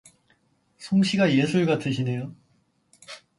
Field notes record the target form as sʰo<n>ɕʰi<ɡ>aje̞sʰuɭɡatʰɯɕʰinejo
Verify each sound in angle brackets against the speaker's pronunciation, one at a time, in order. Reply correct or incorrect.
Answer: incorrect: ŋ, correct

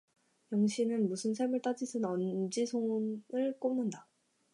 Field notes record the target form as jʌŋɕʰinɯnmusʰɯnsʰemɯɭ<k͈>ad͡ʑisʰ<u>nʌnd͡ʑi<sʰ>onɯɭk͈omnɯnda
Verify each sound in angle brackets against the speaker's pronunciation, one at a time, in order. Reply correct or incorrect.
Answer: incorrect: t͈, incorrect: ɯ, correct

